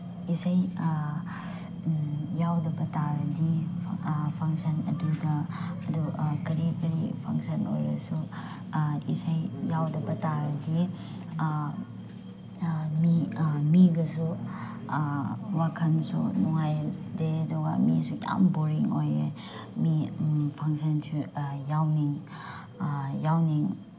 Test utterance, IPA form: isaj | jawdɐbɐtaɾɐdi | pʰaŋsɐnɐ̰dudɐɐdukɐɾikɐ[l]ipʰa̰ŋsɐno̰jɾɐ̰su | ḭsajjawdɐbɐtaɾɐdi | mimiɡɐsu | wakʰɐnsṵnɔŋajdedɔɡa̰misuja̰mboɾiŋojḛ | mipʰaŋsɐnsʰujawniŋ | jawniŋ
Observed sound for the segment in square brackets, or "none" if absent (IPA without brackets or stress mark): ɾ